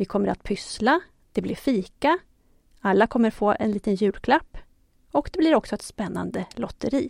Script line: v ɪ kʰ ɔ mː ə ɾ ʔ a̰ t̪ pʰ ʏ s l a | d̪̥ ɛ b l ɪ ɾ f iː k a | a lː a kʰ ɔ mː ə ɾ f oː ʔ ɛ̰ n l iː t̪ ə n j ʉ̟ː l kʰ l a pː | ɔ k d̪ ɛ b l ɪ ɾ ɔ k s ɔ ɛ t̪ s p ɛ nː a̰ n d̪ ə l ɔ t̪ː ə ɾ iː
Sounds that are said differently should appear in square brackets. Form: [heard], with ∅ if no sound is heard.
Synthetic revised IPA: v ɪ kʰ ɔ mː ə ɾ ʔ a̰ t̪ pʰ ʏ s l a | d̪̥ ɛ b l ɪ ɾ f iː k a | a lː a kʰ ɔ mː ə ɾ f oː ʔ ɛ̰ n l iː t̪ ə n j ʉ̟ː l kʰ l a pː | ɔ k d̪ ɛ b l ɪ ɾ ɔ k s ɔ ɛ t̪ s p ɛ nː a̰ n d̪ ə l ɔ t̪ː ə ɾ iː